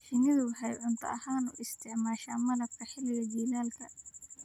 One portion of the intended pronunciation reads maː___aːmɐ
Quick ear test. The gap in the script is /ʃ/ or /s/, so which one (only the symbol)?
ʃ